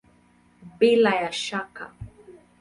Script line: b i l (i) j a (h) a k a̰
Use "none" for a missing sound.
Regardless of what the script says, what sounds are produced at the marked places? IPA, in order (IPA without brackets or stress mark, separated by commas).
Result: a, ʃ